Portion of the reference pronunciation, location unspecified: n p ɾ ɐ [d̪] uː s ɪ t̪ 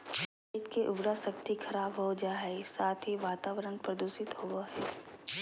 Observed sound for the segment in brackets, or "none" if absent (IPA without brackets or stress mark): d̪